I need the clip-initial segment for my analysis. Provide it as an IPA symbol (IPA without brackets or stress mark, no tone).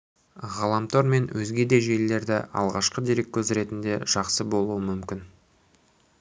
ʁ